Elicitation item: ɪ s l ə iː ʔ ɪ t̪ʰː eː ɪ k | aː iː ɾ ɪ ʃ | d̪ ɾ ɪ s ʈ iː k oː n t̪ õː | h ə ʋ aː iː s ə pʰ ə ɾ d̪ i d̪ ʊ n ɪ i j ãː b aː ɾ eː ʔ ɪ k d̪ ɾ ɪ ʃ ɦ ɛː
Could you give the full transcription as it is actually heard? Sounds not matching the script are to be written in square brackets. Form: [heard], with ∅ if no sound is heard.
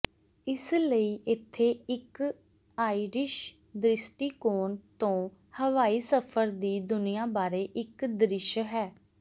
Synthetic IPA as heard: ɪ s l ə iː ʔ ɪ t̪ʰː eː ɪ k | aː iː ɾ ɪ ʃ | d̪ ɾ ɪ s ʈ iː k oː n t̪ õː | h ə ʋ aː iː s ə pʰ ə ɾ d̪ [iː] d̪ ʊ n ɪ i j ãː b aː ɾ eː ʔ ɪ k d̪ ɾ ɪ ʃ ɦ ɛː